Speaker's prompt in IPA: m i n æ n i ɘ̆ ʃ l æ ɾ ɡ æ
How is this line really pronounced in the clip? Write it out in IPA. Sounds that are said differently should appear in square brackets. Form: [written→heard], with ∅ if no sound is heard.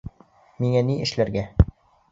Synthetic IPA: m i [n→ŋ] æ n i ɘ̆ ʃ l æ ɾ ɡ æ